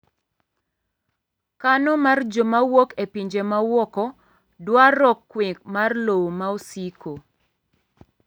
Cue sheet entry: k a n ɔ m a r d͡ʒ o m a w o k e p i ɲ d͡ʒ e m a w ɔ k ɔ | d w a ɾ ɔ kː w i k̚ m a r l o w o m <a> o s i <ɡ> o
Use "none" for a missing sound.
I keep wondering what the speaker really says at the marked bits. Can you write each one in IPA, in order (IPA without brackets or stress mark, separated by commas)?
a, k